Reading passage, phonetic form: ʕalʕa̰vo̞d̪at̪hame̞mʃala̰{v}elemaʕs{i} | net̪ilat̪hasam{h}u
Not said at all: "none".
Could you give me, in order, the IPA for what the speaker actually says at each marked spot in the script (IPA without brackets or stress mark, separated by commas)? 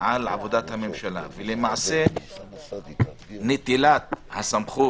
v, e, χ